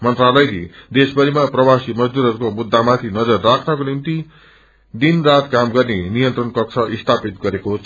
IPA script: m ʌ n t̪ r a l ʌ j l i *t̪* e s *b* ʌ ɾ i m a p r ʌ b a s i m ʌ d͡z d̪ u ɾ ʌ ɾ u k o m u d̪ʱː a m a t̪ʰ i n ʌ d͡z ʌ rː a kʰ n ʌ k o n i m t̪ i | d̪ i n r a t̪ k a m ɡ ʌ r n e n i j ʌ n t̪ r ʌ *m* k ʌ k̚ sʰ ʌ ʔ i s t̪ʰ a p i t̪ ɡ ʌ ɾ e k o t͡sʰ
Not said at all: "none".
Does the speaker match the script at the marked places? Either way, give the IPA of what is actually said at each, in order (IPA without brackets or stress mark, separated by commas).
d̪, b, n